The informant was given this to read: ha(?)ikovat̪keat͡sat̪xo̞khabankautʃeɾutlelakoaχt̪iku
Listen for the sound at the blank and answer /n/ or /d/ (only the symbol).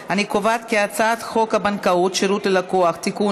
n